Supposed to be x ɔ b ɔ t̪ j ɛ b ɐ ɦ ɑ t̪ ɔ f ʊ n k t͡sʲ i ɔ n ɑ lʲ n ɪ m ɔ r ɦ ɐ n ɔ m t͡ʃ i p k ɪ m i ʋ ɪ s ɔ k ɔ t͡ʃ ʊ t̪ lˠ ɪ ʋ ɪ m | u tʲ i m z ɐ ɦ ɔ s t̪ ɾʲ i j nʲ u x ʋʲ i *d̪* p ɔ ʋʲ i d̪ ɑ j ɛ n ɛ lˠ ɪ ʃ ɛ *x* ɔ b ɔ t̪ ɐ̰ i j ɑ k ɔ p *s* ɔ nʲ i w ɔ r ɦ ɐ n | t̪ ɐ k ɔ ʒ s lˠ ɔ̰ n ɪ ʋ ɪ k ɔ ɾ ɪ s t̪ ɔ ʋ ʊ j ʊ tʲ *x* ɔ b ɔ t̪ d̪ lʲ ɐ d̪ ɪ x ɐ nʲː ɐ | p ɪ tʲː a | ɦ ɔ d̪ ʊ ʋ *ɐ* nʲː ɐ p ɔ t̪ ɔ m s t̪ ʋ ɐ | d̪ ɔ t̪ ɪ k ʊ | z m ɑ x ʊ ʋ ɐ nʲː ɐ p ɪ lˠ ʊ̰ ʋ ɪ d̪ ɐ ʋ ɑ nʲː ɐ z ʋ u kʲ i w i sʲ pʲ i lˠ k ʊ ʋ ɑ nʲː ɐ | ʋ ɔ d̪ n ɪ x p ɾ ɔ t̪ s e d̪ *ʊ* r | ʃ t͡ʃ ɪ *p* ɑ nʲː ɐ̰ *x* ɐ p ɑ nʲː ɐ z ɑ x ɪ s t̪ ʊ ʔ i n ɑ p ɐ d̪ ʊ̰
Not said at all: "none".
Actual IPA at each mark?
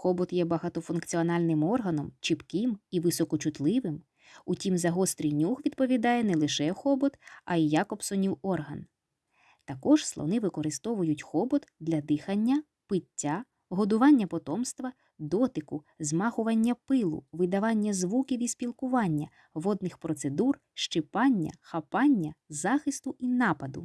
d̪, x, s, x, ɑ, u, p, x

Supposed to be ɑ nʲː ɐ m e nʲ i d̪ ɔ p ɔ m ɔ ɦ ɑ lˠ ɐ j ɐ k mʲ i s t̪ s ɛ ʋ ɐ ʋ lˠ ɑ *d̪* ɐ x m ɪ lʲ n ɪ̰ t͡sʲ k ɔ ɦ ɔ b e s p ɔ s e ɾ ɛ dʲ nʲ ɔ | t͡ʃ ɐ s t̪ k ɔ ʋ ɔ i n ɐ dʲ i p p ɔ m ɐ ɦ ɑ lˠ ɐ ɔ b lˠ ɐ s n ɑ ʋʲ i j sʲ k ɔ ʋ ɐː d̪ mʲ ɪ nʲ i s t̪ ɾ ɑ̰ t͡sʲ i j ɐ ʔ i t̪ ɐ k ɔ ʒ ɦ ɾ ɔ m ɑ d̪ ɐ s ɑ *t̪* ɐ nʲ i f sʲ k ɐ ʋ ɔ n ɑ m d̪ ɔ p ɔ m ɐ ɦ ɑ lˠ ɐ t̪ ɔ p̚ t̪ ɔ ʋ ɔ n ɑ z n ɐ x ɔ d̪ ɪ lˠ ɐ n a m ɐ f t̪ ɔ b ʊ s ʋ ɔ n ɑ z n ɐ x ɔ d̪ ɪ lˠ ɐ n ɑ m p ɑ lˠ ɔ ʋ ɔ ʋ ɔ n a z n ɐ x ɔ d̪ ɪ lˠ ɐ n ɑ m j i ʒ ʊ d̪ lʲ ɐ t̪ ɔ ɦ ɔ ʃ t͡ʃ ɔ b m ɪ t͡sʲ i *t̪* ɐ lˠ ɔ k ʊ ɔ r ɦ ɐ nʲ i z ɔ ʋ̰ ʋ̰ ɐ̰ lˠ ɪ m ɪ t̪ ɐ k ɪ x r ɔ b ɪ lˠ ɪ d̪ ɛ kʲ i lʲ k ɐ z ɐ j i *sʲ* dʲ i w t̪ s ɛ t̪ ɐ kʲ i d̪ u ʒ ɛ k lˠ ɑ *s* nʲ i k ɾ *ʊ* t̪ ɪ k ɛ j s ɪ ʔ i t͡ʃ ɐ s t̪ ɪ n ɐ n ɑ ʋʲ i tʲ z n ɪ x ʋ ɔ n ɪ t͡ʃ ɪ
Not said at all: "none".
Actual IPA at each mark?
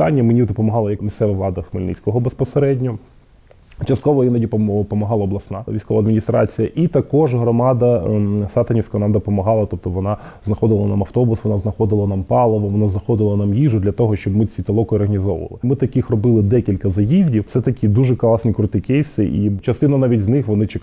d̪, t̪, t̪, zʲ, s, ʊ

